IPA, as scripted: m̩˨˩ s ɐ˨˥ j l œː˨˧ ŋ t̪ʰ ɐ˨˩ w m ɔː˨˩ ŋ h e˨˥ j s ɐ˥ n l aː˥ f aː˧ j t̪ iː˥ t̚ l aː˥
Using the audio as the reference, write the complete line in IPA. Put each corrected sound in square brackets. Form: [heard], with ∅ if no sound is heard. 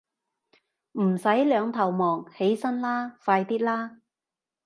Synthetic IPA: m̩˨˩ s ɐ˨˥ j l œː˨˧ ŋ t̪ʰ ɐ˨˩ w m ɔː˨˩ ŋ h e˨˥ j s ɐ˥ n l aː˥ f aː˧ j t̪ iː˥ t̚ l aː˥